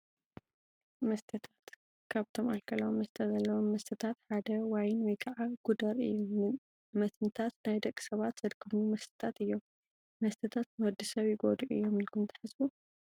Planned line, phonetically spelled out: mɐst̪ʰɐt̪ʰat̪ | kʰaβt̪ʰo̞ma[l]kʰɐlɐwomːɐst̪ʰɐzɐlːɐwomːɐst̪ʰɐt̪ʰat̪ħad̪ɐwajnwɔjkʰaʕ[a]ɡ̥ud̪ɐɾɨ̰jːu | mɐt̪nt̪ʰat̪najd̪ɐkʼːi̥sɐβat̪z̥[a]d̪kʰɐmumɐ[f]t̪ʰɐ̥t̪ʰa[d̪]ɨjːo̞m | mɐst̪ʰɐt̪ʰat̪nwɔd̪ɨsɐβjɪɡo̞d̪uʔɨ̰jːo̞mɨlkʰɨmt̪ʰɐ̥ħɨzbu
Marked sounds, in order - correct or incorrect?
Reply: correct, correct, incorrect, incorrect, incorrect

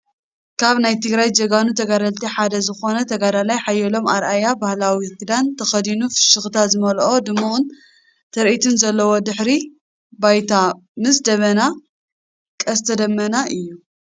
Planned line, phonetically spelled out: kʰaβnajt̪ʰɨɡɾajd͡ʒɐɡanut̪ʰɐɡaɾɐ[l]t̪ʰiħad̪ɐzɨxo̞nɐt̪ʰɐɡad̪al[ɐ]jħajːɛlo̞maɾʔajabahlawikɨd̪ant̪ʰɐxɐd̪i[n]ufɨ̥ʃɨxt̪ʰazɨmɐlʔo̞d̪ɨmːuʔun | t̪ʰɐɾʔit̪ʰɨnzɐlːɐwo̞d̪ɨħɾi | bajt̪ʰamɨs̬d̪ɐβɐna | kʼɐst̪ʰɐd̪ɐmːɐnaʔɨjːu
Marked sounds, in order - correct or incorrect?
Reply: correct, incorrect, correct

